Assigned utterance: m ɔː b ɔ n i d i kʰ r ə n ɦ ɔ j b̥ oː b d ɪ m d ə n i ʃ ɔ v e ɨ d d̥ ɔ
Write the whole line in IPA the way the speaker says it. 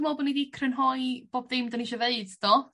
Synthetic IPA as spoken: m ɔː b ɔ n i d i kʰ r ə n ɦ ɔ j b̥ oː b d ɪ m d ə n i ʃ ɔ v e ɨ d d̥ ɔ